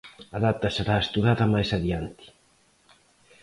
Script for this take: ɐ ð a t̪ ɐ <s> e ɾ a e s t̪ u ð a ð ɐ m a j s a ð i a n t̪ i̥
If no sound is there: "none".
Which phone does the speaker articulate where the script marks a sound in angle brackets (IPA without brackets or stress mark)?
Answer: s